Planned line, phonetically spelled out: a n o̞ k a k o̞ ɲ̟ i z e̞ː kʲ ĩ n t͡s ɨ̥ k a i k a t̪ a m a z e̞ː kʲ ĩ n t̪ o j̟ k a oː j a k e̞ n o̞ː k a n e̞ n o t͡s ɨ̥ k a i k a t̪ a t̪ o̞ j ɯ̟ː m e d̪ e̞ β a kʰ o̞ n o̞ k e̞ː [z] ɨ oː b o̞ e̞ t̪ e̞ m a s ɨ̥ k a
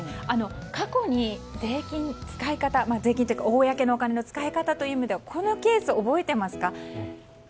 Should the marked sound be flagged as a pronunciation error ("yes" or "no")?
yes